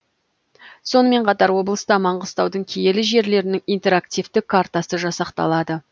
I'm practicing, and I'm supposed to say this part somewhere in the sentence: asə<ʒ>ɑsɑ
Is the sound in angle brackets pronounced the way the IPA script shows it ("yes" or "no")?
yes